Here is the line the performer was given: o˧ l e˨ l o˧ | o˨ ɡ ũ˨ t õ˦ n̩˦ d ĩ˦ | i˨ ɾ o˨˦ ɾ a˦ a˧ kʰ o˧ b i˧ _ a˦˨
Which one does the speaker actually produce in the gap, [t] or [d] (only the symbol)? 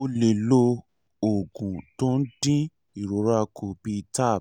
t